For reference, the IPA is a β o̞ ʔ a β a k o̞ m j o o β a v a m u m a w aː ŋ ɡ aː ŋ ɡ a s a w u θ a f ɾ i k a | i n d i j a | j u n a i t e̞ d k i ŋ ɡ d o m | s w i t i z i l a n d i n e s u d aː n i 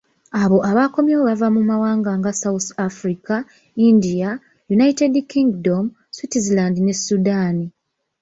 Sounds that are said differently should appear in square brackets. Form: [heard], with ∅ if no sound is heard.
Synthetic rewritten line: a β o̞ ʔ a β a k o̞ m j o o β a v a m u m a w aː ŋ ɡ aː ŋ ɡ a s a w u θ a f ɾ i k a | i n d i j a | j u n a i t e̞ d k i ŋ ɡ d o m | s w i t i z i l a n d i n e s u d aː n i